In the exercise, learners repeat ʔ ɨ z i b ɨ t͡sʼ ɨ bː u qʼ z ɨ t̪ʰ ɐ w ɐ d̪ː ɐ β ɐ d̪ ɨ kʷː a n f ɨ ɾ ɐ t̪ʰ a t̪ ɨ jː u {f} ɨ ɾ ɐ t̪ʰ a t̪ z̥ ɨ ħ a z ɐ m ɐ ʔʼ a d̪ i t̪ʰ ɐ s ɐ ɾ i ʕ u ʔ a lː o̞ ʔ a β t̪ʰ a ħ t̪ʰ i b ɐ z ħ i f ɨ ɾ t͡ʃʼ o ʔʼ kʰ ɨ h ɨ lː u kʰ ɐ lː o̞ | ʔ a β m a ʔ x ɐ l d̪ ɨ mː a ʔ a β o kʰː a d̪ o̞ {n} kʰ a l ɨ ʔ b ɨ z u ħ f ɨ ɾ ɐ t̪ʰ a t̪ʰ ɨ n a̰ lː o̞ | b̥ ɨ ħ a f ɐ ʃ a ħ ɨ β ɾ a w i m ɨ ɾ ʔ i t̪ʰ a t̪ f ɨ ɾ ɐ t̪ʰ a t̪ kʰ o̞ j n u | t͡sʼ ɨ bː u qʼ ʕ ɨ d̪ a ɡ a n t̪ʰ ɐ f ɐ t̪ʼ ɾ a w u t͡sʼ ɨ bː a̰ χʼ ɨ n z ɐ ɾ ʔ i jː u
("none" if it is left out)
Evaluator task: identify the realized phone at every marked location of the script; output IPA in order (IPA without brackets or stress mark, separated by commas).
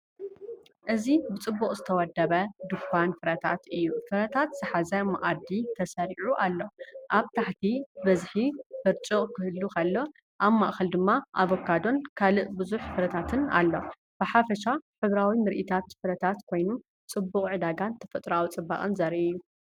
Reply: f, n